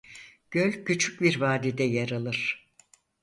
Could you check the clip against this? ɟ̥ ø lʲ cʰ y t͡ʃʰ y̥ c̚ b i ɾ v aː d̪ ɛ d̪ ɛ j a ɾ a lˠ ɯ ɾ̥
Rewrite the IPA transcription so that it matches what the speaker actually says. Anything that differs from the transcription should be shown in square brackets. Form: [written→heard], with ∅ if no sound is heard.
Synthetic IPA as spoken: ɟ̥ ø lʲ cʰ y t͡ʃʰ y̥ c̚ b i ɾ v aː d̪ [ɛ→i] d̪ ɛ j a ɾ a lˠ ɯ ɾ̥

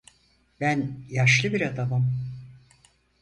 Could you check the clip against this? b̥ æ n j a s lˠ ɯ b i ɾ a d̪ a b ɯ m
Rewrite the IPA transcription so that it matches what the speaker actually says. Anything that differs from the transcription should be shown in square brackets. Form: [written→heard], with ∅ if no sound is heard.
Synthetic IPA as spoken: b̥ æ n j a [s→ʃ] lˠ ɯ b i ɾ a d̪ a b ɯ m

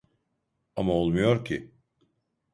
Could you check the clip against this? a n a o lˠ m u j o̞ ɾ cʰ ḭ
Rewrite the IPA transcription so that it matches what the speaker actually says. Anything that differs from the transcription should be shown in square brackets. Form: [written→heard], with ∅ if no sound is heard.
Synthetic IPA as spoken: a [n→m] a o lˠ m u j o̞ ɾ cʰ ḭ

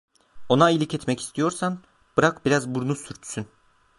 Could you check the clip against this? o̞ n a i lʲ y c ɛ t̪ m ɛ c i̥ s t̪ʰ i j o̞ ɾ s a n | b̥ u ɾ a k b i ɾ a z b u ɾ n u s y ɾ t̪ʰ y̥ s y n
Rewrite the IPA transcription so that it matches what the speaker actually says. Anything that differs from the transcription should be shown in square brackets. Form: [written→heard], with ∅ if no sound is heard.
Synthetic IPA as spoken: o̞ n a i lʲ [y→i] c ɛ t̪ m ɛ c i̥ s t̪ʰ i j o̞ ɾ s a n | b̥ [u→ɯ] ɾ a k b i ɾ a z b u ɾ n u s y ɾ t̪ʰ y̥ s y n

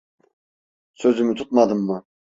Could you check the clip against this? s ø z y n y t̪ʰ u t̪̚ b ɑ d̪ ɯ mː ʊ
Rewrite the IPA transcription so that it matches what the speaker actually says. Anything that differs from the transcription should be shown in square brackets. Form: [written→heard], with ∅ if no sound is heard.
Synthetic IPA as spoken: s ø z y [n→m] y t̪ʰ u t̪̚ [b→m] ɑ d̪ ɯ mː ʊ

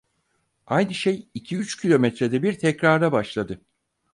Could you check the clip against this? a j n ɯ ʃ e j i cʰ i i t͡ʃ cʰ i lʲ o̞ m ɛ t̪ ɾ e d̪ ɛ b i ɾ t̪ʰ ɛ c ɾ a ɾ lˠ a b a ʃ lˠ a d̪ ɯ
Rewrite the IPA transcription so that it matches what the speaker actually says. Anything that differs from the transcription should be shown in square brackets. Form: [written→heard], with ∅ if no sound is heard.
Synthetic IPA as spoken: a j n ɯ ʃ e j i cʰ i [i→y] t͡ʃ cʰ i lʲ o̞ m ɛ t̪ ɾ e d̪ ɛ b i ɾ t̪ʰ ɛ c ɾ a ɾ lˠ a b a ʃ lˠ a d̪ ɯ

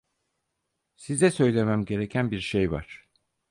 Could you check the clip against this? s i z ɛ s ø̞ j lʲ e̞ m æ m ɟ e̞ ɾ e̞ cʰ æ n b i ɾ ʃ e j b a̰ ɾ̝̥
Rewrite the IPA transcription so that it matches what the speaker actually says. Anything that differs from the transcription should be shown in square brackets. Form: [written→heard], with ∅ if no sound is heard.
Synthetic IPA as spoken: s i z ɛ s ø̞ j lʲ e̞ m æ m ɟ e̞ ɾ e̞ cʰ æ n b i ɾ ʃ e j [b→v] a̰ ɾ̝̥

